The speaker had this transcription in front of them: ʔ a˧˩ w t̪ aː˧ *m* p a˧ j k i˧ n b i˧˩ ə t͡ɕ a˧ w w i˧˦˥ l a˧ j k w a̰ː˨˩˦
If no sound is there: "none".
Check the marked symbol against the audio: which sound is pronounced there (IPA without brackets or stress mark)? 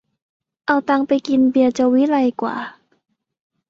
ŋ